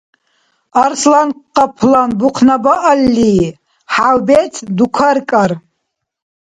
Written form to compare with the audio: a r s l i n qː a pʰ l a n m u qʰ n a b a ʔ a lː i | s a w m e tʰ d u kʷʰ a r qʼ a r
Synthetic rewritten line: a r s l a n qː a pʰ l a n b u qʰ n a b a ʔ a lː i | ħ a w b e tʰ d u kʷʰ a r kʼ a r